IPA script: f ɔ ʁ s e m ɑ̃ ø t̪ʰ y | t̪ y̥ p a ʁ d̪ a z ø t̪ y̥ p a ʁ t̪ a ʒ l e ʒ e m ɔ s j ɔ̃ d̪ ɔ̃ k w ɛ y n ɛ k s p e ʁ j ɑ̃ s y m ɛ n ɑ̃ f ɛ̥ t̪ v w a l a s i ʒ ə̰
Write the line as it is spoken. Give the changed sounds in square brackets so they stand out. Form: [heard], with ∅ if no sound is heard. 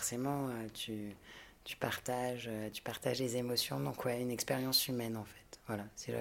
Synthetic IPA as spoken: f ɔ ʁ s e m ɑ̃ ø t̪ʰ y | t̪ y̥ p a ʁ [t̪] a [ʒ] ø t̪ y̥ p a ʁ t̪ a ʒ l e [z] e m ɔ s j ɔ̃ d̪ ɔ̃ k w ɛ y n ɛ k s p e ʁ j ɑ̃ s y m ɛ n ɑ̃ f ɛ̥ t̪ v w a l a s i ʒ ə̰